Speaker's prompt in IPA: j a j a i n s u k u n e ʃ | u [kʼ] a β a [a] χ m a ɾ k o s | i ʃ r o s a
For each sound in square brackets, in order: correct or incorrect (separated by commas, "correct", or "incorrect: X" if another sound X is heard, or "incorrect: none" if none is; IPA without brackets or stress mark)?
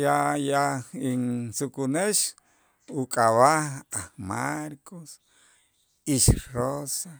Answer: correct, correct